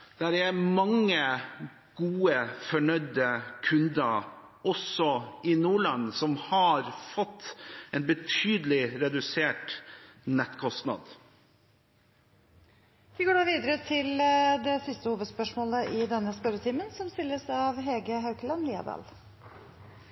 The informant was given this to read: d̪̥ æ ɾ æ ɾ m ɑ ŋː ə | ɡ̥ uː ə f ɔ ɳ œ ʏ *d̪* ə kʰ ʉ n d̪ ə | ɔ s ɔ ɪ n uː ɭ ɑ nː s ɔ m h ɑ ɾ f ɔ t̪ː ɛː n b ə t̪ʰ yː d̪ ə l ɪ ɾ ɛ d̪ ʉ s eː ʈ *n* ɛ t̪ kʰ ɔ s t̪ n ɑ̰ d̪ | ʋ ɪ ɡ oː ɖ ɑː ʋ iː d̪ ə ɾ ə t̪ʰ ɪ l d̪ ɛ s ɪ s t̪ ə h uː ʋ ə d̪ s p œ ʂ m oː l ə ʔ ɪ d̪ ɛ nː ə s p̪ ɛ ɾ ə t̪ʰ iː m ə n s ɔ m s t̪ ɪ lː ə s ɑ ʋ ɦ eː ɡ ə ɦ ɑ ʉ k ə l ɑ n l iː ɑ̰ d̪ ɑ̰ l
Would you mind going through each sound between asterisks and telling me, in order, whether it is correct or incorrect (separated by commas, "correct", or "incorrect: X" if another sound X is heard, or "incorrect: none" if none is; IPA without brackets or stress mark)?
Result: correct, correct